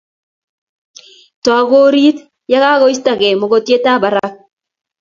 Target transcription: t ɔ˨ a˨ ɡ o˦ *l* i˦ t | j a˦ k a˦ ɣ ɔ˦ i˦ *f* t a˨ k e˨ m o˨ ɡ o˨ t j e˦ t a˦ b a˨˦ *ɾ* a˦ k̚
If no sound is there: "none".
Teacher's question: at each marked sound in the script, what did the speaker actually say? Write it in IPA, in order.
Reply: ɾ, s, ɾ

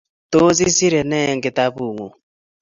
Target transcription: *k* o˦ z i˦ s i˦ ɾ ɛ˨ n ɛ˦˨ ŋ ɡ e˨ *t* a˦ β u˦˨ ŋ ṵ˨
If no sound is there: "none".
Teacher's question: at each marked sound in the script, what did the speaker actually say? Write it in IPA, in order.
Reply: t, t

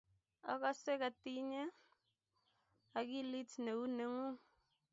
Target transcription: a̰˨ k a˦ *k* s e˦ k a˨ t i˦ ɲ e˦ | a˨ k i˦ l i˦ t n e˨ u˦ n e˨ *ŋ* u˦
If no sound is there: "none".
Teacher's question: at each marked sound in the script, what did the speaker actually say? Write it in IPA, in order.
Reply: none, ŋ

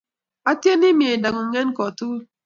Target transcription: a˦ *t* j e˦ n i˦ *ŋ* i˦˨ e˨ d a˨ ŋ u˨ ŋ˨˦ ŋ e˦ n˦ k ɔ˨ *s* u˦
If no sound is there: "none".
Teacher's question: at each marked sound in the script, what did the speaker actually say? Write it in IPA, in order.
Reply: t, m, t

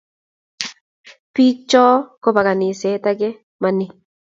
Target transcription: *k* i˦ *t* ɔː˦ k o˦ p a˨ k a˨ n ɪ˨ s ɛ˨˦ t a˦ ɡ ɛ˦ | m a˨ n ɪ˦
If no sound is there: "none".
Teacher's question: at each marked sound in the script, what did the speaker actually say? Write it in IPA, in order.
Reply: p, t͡ʃ

